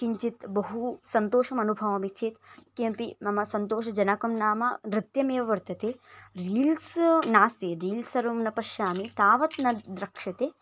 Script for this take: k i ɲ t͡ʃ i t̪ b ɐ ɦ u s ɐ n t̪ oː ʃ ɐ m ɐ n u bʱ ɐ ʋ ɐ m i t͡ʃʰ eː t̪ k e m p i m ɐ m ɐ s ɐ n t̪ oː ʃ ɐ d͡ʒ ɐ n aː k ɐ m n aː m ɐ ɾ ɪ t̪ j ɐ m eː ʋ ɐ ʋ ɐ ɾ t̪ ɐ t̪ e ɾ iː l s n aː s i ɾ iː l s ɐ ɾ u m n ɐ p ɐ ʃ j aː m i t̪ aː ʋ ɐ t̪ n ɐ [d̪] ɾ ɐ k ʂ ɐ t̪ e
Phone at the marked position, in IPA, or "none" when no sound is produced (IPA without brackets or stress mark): d̪